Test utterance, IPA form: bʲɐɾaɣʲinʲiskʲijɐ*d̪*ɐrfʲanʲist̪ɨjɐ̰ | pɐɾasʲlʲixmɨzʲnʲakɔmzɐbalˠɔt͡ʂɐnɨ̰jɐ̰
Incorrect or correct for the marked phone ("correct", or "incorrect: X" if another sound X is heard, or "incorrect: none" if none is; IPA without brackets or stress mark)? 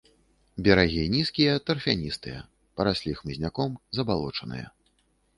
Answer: incorrect: t̪